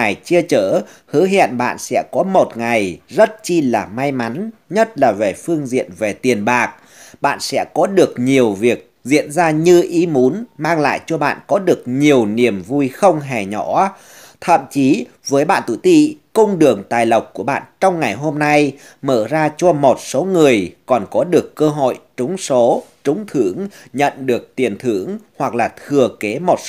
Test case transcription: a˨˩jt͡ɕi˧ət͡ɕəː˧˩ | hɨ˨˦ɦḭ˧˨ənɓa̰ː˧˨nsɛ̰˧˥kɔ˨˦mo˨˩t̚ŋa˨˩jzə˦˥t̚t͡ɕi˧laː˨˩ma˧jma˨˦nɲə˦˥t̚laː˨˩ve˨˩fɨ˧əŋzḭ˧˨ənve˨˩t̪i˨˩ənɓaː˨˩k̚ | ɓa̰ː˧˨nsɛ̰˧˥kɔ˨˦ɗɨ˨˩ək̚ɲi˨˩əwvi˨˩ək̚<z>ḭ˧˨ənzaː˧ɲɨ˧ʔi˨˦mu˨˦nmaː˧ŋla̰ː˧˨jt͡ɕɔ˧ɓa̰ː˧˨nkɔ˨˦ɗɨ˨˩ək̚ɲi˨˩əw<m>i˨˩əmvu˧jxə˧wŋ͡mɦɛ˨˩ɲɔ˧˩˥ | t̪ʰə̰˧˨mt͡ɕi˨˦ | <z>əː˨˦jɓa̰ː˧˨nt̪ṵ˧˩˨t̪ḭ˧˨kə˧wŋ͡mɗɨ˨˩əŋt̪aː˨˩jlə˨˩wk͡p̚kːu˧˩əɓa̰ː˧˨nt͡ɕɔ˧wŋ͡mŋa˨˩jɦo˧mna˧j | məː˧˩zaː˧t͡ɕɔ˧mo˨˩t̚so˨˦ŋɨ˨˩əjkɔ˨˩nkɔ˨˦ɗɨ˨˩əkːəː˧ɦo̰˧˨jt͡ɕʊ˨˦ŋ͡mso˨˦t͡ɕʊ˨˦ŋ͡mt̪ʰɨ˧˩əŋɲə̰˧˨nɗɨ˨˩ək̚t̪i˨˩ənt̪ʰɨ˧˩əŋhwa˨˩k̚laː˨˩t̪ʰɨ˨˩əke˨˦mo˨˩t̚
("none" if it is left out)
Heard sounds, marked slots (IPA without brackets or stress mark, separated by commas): z, n, v